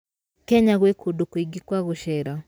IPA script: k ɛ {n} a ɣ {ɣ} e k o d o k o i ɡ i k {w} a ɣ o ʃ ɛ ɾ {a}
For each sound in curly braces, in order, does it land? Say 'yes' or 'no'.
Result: no, no, yes, yes

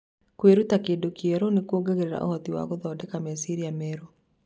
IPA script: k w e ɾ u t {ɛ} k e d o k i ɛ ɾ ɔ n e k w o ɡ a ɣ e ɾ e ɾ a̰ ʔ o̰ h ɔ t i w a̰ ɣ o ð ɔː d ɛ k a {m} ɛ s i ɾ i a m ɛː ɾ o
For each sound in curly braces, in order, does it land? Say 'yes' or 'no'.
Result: no, yes

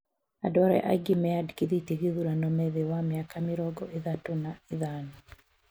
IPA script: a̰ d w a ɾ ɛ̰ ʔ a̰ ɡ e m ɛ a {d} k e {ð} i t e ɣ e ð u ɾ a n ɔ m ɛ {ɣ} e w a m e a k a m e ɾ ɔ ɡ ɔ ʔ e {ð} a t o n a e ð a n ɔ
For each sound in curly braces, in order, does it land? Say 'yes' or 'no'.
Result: yes, yes, no, yes

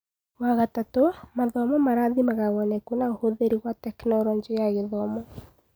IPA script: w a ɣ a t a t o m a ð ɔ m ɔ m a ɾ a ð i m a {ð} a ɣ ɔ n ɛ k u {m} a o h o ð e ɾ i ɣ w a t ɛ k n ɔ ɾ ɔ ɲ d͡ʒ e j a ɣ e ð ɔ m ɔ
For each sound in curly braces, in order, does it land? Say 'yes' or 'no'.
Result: no, no

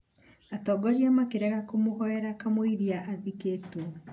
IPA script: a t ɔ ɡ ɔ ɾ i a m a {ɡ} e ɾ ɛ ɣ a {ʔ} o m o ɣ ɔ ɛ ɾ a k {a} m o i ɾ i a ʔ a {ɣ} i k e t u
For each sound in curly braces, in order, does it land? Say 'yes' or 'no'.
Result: no, no, yes, no

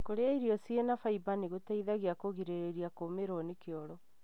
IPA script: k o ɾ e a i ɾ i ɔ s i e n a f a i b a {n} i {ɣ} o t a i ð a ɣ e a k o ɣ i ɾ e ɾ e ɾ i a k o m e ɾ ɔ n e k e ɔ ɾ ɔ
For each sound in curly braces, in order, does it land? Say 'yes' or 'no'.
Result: yes, yes

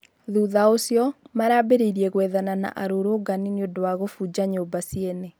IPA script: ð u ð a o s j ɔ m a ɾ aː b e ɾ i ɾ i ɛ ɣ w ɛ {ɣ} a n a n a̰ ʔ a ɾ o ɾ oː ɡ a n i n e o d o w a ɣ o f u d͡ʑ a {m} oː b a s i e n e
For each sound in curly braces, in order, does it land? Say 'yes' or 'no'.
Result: no, no

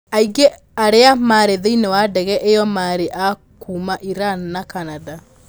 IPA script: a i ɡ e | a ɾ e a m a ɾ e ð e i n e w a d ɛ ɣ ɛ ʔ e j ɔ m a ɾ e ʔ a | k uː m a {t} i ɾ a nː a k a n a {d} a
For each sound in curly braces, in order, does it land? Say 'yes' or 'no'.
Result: no, yes

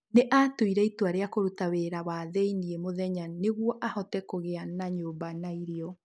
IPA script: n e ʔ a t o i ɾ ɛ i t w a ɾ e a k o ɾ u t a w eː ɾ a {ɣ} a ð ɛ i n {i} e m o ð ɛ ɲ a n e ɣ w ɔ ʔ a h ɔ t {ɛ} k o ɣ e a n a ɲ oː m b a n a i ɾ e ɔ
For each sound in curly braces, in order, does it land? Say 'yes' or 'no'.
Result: no, yes, yes

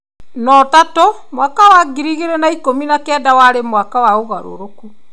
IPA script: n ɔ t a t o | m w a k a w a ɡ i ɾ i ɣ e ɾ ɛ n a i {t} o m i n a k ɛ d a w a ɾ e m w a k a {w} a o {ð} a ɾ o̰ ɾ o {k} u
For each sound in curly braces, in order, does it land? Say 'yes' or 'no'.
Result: no, yes, no, yes

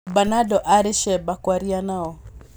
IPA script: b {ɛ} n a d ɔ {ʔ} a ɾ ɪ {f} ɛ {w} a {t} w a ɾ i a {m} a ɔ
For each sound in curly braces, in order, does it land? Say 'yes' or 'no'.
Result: no, yes, no, no, no, no

